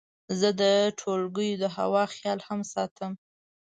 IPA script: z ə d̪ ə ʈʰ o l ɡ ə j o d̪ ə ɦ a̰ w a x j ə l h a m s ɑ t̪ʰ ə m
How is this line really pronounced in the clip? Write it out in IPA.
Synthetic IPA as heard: z ə d̪ ə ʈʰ o l ɡ ə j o d̪ ə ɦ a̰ w ɑ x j ɑ l h a m s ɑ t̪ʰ ə m